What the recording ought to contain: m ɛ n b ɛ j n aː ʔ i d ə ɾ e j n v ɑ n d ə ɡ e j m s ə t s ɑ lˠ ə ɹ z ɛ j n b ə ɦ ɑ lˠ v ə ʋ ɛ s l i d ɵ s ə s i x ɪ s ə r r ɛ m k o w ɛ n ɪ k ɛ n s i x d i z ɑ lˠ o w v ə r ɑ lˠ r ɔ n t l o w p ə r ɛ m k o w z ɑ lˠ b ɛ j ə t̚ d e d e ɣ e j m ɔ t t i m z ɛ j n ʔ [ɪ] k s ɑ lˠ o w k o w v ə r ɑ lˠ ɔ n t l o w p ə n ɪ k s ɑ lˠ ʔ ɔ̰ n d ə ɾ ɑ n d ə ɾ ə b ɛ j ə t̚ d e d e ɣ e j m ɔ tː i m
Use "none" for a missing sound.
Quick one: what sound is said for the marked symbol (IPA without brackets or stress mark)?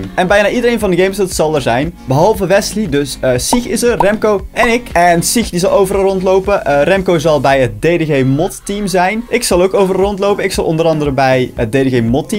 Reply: ɪ